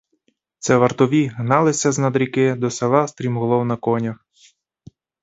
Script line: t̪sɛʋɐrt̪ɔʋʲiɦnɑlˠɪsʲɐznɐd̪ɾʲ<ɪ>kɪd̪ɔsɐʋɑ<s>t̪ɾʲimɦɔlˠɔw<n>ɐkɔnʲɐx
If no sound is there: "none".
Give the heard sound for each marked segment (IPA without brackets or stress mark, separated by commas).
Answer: i, s, n